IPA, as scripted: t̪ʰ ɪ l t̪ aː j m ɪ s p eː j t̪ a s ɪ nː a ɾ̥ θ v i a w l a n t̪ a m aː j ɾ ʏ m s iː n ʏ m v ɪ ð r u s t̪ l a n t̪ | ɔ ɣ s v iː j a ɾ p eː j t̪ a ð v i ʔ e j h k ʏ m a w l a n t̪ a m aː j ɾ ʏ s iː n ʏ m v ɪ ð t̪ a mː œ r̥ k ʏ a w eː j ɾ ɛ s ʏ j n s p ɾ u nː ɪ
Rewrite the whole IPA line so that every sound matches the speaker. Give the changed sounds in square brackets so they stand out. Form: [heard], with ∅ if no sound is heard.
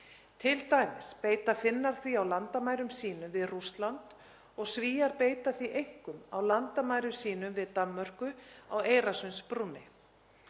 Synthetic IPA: t̪ʰ ɪ l t̪ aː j m ɪ s p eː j t̪ a [f] ɪ nː a ɾ̥ θ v i a w l a n t̪ a m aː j ɾ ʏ m s iː n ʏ m v ɪ ð r u s t̪ l a n t̪ | ɔ ɣ s v iː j a ɾ p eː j t̪ a [θ] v i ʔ e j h k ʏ m a w l a n t̪ a m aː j ɾ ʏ s iː n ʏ m v ɪ ð t̪ a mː œ r̥ k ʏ a w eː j ɾ [a] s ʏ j n s p ɾ u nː ɪ

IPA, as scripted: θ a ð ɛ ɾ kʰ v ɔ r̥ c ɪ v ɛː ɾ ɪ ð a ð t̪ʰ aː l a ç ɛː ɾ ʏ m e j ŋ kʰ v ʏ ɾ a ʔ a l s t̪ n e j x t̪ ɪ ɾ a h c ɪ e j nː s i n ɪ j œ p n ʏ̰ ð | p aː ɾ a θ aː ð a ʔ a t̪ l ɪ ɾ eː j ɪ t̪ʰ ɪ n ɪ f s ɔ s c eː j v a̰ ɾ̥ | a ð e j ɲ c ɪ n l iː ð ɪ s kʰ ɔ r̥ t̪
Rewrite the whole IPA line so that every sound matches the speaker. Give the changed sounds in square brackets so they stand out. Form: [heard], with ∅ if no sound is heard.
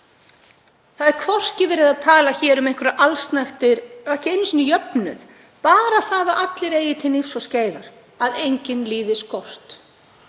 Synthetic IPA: θ a ð ɛ ɾ kʰ v ɔ r̥ c ɪ v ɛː ɾ ɪ ð a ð t̪ʰ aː l a ç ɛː ɾ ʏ m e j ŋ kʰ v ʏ ɾ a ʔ a l s t̪ n [a] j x t̪ ɪ ɾ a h c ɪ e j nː s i n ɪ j œ p n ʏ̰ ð | p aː ɾ a θ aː ð a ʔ a t̪ l ɪ ɾ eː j ɪ t̪ʰ ɪ n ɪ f s ɔ s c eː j v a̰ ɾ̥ | a ð e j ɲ c ɪ n l iː ð ɪ s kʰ ɔ r̥ t̪

